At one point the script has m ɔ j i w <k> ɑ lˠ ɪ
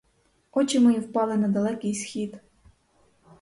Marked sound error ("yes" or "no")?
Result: yes